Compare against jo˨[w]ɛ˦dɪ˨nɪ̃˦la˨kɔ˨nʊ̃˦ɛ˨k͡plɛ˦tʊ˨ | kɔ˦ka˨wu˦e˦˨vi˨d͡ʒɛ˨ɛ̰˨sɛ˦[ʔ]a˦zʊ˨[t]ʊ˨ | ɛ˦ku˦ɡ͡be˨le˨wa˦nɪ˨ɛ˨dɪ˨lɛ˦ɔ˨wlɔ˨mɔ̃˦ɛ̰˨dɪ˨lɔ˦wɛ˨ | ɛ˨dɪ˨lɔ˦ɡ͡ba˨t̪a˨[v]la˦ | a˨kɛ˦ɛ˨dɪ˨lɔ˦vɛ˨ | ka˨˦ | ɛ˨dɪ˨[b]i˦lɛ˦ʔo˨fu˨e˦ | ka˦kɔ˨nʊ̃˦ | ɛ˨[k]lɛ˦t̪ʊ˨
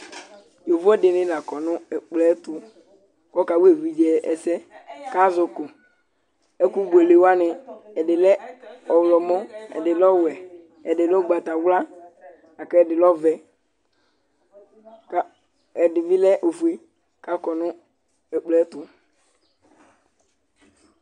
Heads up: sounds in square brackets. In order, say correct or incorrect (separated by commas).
incorrect, incorrect, incorrect, incorrect, incorrect, incorrect